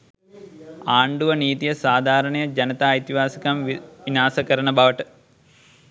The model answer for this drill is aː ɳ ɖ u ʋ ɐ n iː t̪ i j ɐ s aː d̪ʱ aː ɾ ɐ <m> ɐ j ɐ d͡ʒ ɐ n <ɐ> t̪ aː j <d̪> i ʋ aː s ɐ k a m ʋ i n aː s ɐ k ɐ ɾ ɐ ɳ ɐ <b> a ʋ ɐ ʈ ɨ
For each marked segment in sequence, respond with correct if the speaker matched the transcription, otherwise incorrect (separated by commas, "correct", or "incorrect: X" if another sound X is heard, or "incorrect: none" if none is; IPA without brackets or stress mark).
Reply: incorrect: ɳ, correct, incorrect: t̪, correct